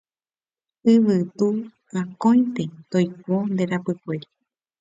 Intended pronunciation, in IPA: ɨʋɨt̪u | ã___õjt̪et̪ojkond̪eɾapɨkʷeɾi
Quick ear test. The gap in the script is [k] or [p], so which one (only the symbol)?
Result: k